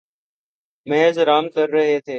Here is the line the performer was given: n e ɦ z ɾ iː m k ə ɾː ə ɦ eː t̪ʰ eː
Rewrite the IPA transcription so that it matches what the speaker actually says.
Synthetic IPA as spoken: m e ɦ z ɾ aː m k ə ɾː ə ɦ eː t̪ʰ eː

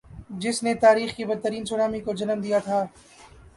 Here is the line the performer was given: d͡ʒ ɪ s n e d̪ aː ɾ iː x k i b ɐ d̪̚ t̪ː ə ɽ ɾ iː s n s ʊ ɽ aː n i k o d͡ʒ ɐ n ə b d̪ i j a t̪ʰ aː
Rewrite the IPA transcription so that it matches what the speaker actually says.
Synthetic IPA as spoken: d͡ʒ ɪ s n e t̪ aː ɾ iː x k i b ɐ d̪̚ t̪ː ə ɾ iː n s ʊ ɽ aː m i k o d͡ʒ ɐ n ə m d̪ i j a t̪ʰ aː

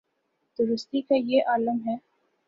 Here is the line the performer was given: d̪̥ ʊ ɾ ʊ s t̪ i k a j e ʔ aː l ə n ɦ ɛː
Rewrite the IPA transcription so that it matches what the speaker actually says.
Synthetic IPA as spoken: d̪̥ ʊ ɾ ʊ s t̪ i k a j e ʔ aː l ə m ɦ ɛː

